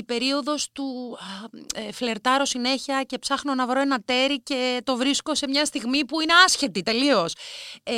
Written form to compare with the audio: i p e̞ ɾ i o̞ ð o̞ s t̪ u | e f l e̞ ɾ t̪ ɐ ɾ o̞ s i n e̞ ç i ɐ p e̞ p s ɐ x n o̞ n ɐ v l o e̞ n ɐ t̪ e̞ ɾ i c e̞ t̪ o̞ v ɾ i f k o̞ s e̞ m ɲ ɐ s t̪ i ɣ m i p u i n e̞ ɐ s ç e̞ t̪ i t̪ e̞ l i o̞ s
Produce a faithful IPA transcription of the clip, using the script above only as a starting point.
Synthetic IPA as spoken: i p e̞ ɾ i o̞ ð o̞ s t̪ u | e f l e̞ ɾ t̪ ɐ ɾ o̞ s i n e̞ ç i ɐ c e̞ p s ɐ x n o̞ n ɐ v ɾ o e̞ n ɐ t̪ e̞ ɾ i c e̞ t̪ o̞ v ɾ i s k o̞ s e̞ m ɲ ɐ s t̪ i ɣ m i p u i n e̞ ɐ s ç e̞ t̪ i t̪ e̞ l i o̞ s